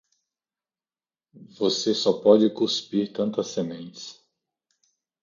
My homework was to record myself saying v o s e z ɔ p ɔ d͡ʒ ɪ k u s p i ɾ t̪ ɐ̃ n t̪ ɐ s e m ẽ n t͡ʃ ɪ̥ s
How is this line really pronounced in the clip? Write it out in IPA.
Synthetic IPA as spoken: v o s e s ɔ p ɔ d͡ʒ ɪ k u s p i ɾ t̪ ɐ̃ n t̪ ɐ s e m ẽ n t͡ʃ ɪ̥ s